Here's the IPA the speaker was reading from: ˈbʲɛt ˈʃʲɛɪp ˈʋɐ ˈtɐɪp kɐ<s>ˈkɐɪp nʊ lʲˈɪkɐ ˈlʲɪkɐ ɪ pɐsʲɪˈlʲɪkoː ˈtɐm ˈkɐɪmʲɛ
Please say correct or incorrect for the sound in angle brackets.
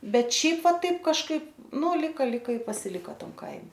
incorrect